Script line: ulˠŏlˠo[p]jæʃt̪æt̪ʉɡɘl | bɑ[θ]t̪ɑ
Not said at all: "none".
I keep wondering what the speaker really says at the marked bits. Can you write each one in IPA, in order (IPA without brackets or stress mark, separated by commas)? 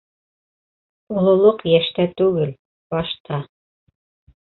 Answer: q, ʃ